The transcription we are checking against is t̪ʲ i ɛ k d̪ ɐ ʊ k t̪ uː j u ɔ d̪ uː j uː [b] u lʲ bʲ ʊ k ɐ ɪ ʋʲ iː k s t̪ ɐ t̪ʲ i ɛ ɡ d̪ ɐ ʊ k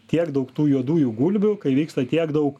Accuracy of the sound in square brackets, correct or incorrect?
incorrect: ɡ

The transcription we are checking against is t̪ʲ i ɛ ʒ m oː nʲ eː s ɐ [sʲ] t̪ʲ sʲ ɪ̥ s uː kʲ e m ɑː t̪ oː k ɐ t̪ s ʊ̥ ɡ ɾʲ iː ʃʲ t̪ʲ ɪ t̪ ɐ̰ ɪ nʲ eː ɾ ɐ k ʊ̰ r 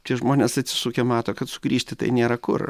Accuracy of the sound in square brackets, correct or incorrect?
incorrect: none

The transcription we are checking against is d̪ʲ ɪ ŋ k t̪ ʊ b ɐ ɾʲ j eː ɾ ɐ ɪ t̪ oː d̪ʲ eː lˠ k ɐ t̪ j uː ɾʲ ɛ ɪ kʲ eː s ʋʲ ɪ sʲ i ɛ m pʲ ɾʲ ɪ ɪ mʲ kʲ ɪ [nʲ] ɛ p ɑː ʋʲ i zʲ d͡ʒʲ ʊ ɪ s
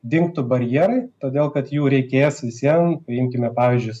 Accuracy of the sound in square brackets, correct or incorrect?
incorrect: mʲ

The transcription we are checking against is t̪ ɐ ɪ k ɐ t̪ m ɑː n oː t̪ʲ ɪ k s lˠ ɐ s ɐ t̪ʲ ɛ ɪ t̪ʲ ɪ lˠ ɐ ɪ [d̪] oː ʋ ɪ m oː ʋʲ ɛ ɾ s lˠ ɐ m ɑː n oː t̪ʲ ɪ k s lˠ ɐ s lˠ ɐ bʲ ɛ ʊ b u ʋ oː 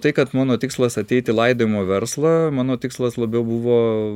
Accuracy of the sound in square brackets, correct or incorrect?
correct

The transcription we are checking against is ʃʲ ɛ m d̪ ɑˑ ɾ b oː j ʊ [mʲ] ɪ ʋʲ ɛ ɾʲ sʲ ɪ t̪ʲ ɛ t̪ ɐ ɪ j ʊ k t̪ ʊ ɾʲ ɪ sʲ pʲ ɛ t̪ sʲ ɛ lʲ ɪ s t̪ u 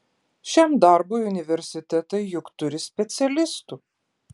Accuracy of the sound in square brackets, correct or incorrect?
incorrect: nʲ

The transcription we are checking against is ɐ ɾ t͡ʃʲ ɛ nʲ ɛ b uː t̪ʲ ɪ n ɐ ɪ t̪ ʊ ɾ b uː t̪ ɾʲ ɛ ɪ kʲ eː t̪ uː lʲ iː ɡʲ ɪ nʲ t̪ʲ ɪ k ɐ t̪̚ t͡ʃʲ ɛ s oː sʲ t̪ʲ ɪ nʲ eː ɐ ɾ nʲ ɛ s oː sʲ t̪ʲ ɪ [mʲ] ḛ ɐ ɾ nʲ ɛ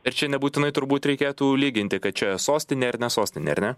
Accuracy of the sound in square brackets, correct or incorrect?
incorrect: nʲ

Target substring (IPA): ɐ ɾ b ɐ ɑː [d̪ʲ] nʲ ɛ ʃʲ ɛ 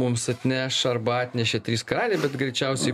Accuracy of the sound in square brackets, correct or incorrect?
incorrect: t̪ʲ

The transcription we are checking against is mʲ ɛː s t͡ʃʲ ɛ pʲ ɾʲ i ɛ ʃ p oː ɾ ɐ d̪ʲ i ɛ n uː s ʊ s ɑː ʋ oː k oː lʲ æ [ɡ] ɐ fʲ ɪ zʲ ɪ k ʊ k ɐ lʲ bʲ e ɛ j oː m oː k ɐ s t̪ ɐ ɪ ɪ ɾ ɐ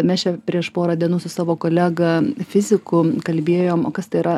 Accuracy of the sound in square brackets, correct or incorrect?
correct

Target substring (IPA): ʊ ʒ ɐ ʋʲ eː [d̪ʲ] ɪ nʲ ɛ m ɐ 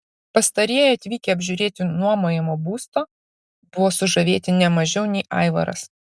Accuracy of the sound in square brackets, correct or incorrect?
incorrect: t̪ʲ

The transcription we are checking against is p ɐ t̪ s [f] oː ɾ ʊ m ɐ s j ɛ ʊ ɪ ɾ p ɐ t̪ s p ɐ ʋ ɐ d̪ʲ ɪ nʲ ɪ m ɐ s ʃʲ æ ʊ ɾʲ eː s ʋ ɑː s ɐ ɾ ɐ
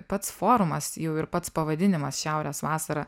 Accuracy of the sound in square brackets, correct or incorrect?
correct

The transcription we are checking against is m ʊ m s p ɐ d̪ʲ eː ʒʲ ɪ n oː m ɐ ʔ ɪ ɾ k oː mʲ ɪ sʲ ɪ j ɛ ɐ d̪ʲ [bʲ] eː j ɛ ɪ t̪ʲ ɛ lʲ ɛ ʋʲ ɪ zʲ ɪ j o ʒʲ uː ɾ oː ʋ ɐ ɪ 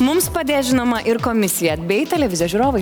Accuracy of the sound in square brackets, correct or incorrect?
correct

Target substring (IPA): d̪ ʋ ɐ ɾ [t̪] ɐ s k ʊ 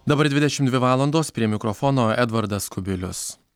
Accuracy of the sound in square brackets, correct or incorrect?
incorrect: d̪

